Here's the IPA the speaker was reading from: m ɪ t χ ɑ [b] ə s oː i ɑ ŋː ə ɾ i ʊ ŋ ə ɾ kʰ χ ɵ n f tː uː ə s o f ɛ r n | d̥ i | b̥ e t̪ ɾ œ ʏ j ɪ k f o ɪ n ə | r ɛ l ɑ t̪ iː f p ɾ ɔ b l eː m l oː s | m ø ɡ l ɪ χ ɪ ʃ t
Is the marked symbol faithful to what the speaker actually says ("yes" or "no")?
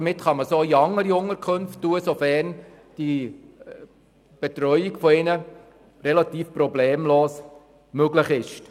no